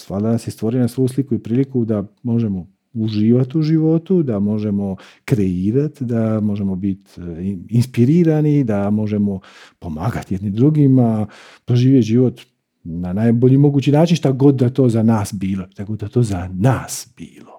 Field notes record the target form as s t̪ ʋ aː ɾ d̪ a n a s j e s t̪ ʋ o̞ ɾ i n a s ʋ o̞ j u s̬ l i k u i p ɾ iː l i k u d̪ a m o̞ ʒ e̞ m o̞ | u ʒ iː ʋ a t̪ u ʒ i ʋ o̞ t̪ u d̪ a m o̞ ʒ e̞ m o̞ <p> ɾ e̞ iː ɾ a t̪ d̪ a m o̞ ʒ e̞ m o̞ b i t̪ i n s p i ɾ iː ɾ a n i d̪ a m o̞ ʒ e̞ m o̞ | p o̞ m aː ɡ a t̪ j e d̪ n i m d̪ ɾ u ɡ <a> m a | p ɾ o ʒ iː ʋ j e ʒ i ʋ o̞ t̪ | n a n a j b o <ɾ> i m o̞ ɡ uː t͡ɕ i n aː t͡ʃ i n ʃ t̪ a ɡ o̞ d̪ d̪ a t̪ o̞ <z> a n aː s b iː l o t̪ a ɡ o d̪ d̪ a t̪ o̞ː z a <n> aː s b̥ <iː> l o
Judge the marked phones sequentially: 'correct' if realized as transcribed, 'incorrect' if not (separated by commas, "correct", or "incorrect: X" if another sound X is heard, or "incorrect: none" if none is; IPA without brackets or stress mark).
incorrect: k, incorrect: i, incorrect: ʎ, correct, correct, correct